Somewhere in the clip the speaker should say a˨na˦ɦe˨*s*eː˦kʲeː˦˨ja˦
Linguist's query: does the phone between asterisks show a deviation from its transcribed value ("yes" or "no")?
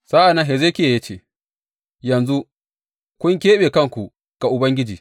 yes